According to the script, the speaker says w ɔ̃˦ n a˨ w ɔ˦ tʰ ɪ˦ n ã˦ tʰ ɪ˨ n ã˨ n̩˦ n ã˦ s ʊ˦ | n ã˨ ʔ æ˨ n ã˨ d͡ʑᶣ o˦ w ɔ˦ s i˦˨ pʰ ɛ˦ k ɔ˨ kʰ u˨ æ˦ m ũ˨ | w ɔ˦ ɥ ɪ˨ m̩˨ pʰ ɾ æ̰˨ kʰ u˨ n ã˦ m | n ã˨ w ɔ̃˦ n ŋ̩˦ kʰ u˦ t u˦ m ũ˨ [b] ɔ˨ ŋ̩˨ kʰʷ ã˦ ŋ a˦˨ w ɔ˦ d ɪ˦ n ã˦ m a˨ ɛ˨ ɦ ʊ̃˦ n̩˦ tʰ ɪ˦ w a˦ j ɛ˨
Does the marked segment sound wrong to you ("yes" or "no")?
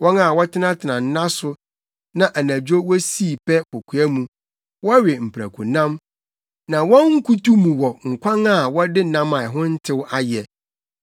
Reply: yes